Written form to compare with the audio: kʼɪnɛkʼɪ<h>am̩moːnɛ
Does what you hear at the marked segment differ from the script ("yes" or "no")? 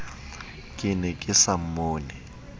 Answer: yes